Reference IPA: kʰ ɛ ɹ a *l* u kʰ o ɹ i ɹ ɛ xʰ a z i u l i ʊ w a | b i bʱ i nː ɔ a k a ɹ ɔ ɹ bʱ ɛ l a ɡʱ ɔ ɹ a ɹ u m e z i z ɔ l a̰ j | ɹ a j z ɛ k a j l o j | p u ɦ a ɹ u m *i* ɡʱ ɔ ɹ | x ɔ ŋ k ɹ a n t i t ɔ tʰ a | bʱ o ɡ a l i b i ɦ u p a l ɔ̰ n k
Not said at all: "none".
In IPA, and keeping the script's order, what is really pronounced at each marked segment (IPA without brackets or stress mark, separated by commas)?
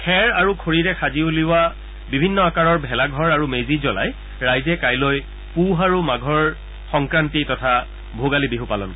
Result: ɹ, a